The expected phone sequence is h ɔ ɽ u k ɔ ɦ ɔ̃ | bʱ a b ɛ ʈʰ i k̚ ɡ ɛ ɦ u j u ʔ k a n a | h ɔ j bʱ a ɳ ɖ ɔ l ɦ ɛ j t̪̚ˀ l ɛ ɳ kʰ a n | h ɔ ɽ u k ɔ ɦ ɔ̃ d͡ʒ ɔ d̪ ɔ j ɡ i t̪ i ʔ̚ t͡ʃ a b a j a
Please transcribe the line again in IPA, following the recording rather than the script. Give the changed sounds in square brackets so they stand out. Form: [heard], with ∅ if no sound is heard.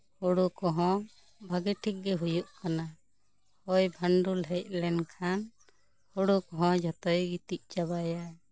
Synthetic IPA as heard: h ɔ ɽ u k ɔ ɦ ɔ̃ | bʱ a [ɡ] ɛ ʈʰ i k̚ ɡ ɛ ɦ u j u ʔ k a n a | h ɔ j bʱ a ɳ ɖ [u] l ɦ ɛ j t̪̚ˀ l ɛ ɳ kʰ a n | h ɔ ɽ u k ɔ ɦ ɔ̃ d͡ʒ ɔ [t̪] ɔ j ɡ i t̪ i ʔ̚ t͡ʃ a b a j a